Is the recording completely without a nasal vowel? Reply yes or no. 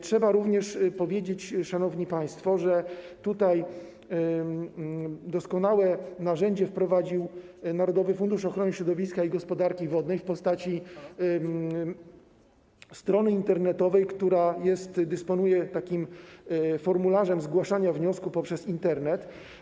yes